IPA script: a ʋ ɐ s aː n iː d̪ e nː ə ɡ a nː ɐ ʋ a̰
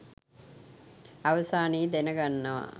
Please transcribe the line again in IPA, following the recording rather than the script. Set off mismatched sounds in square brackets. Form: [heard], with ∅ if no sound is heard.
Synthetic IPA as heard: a ʋ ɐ s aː n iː d̪ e [n] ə ɡ a nː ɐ ʋ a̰